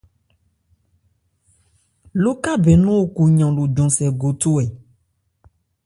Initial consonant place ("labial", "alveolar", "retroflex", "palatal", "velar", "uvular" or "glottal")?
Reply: alveolar